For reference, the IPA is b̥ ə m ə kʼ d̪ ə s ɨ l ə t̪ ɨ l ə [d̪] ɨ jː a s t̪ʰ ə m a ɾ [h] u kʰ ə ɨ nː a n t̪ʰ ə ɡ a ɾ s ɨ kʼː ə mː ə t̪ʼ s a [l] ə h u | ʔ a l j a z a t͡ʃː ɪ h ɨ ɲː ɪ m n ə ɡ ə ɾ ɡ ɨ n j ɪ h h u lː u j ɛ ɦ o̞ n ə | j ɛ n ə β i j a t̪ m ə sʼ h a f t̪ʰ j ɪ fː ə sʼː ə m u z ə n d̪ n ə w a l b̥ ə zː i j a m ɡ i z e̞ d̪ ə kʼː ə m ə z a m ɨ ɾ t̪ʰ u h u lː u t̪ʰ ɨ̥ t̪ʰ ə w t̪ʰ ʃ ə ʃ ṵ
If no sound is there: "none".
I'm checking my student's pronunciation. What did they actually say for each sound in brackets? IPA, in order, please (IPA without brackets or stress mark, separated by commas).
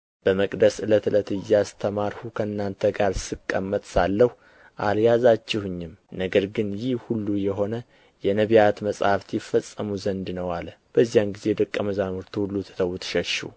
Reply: t̪, h, lː